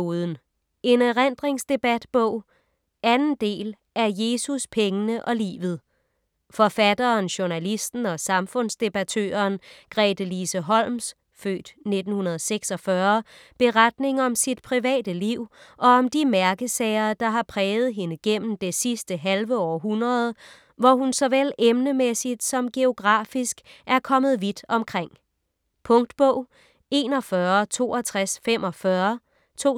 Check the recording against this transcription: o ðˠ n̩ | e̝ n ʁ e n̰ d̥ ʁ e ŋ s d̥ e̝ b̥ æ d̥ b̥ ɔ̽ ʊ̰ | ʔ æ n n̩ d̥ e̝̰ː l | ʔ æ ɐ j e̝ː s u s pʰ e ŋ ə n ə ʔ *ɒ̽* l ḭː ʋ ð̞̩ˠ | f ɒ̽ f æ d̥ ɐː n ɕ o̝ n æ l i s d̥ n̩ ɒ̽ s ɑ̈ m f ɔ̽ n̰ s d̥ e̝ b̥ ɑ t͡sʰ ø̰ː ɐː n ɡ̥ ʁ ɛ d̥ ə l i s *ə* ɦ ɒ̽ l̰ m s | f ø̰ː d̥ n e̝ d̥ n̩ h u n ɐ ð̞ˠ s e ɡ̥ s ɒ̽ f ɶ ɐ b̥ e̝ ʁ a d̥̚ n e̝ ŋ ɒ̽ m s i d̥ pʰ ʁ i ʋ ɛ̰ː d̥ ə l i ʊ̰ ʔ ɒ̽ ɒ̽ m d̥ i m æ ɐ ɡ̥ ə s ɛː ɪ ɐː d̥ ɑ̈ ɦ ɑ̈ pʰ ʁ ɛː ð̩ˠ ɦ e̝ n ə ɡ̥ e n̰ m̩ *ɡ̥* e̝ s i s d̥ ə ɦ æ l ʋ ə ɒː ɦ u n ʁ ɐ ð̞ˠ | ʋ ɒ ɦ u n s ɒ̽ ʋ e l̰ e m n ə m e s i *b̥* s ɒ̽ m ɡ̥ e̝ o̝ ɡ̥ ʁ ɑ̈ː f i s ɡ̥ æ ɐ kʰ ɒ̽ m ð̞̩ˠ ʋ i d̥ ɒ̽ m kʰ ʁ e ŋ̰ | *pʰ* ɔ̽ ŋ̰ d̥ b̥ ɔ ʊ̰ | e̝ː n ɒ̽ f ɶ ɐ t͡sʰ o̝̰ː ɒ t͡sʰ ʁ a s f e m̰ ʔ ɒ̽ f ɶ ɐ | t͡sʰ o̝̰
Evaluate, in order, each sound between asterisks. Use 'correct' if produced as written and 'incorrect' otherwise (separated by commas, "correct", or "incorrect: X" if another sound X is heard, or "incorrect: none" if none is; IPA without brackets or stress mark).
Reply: correct, correct, incorrect: d̥, incorrect: d̥, correct